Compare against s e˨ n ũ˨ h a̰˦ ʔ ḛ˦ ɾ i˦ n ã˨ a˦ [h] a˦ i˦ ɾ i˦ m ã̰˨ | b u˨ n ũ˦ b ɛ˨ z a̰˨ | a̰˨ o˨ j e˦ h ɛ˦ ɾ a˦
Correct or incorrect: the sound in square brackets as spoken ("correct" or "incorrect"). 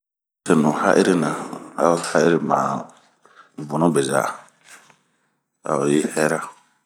correct